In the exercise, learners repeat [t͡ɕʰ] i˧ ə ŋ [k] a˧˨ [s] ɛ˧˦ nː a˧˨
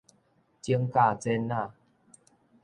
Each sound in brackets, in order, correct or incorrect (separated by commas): incorrect, correct, incorrect